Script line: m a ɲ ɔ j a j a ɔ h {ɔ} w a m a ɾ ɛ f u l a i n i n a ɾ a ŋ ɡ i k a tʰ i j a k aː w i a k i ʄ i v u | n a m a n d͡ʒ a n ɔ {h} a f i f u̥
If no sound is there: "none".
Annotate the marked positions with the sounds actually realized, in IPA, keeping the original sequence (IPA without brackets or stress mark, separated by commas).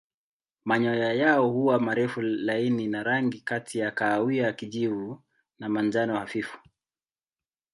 u, h